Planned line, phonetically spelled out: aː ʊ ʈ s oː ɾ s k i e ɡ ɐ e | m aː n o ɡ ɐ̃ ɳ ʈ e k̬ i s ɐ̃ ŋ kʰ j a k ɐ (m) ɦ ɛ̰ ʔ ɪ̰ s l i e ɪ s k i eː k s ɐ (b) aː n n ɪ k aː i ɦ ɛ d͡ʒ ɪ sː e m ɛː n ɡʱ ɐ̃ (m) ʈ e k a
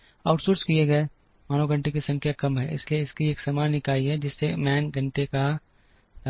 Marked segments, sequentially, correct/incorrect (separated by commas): correct, incorrect, incorrect